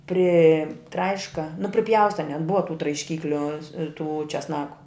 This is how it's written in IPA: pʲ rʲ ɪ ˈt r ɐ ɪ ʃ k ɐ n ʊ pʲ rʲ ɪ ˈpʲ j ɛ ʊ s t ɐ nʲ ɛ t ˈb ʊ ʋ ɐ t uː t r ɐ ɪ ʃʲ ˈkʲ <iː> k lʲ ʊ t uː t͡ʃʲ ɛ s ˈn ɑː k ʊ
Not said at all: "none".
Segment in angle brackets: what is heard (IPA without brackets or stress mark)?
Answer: iː